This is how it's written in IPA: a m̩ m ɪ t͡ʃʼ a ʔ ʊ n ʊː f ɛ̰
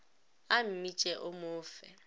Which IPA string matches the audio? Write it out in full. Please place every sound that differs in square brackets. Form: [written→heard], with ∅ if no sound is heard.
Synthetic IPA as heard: a m̩ m [ɪ→i] t͡ʃʼ [a→ɛ] ʔ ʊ [n→m] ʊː f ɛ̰